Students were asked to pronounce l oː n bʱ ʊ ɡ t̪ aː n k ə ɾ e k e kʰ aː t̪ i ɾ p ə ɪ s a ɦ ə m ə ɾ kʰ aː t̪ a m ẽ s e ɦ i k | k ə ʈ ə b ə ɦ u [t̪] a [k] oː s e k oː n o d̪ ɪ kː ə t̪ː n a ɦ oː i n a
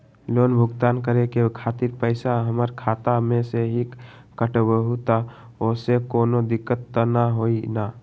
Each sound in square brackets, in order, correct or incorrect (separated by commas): correct, incorrect